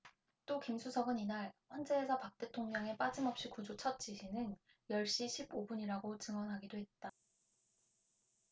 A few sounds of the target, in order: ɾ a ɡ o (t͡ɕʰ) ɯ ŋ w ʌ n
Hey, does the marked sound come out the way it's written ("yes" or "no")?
no